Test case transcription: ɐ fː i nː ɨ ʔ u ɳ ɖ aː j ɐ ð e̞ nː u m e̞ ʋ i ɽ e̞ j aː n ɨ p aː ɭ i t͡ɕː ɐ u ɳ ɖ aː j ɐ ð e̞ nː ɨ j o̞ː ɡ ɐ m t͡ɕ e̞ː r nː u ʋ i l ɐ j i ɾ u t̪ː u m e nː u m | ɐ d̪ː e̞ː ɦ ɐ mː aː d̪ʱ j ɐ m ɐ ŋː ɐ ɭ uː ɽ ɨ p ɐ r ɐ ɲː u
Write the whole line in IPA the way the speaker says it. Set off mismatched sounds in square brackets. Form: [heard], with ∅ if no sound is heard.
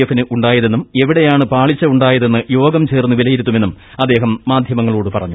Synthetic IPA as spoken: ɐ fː i [n] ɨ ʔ u ɳ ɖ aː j ɐ ð e̞ nː u m e̞ ʋ i ɽ e̞ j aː [ɳ] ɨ p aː ɭ i t͡ɕː ɐ u ɳ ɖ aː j ɐ ð e̞ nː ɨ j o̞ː ɡ ɐ m t͡ɕ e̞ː r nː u ʋ i l ɐ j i ɾ u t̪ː u m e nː u m | ɐ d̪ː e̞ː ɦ ɐ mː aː d̪ʱ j ɐ m ɐ ŋː ɐ ɭ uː ɽ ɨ p ɐ r ɐ ɲː u